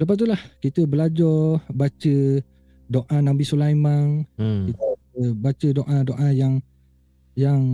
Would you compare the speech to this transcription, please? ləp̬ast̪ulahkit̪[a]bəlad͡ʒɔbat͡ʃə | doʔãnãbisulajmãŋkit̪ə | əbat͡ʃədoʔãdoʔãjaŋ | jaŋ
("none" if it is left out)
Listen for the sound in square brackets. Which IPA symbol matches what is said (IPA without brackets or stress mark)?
ə